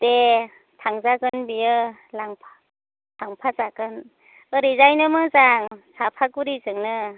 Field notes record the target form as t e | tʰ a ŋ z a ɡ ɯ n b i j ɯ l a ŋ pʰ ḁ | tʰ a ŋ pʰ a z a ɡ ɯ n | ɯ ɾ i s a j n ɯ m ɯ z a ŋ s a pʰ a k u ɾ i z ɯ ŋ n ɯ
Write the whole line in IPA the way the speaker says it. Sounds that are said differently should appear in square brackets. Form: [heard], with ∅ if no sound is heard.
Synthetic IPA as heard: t e | tʰ a ŋ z a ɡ ɯ n b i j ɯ l a ŋ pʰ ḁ | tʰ a ŋ pʰ a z a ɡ ɯ n | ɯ ɾ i [z] a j n ɯ m ɯ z a ŋ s a pʰ a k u ɾ i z ɯ ŋ n ɯ